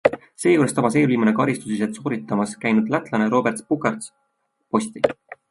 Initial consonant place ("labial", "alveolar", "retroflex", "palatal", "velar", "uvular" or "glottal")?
alveolar